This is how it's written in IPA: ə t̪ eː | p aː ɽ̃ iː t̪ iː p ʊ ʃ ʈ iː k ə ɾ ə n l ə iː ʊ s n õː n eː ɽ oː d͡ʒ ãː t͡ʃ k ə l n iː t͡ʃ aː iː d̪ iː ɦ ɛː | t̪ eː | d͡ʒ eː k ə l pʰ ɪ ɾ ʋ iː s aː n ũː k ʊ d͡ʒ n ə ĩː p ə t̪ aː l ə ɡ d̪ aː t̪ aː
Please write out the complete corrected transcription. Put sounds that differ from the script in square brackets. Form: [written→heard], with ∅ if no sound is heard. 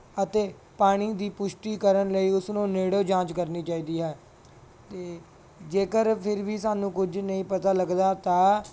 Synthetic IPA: ə t̪ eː | p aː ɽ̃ iː [t̪→d̪] iː p ʊ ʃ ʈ iː k ə ɾ ə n l ə iː ʊ s n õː n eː ɽ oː d͡ʒ ãː t͡ʃ k ə [l→ɾ] n iː t͡ʃ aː iː d̪ iː ɦ ɛː | t̪ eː | d͡ʒ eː k ə [l→ɾ] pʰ ɪ ɾ ʋ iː s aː n ũː k ʊ d͡ʒ n ə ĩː p ə t̪ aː l ə ɡ d̪ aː t̪ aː